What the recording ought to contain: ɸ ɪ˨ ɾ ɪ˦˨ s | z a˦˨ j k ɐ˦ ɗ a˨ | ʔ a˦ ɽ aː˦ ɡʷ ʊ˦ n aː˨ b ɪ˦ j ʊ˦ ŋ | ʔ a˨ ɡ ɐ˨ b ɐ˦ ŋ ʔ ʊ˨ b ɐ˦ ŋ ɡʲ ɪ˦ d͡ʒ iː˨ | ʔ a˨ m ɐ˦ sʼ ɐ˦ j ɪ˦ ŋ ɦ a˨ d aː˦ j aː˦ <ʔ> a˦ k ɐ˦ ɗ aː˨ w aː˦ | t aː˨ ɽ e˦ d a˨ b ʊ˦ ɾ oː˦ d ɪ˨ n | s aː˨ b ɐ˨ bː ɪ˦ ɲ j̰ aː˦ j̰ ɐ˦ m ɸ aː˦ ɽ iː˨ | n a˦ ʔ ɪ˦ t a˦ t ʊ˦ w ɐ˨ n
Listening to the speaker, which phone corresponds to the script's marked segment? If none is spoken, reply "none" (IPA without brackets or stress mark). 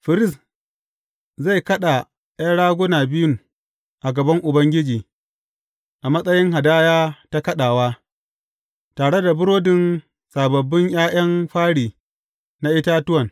t